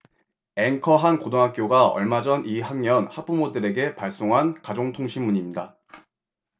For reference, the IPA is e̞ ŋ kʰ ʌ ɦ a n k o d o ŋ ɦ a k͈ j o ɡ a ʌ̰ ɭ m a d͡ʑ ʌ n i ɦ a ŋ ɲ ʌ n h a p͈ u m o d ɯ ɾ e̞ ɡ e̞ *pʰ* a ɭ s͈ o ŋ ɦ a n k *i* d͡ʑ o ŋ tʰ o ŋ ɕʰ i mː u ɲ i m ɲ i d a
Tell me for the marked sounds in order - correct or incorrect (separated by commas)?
incorrect, incorrect